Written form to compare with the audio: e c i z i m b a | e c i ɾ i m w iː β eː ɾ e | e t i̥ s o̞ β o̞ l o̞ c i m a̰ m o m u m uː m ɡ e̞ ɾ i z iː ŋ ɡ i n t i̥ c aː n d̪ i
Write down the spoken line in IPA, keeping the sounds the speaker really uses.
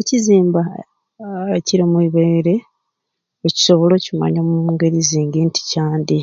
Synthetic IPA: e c i z iː m b a | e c i ɾ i m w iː β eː ɾ e | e c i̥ s o̞ β o̞ l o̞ c i m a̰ ɲ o m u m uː ŋ ɡ e̞ ɾ i z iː ŋ ɡ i n t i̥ c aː n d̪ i